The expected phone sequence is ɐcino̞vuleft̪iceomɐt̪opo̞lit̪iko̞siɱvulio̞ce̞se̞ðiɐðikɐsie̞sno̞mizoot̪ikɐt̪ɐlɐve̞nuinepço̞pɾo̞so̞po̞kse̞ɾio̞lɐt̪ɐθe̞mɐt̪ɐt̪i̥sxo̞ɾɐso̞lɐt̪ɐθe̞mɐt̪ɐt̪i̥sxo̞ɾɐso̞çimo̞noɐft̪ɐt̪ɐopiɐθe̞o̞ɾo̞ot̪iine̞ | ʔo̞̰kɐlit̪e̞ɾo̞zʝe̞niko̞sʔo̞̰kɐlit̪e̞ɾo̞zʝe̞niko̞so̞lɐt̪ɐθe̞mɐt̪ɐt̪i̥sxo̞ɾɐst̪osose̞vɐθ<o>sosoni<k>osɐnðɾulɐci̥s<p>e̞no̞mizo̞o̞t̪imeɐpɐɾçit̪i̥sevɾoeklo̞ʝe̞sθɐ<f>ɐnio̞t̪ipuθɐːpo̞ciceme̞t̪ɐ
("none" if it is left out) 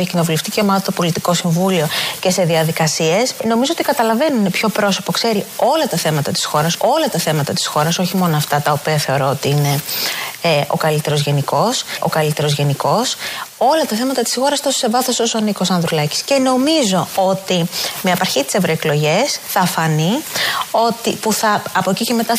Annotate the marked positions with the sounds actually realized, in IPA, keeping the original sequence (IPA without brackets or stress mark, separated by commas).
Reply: o, k, c, f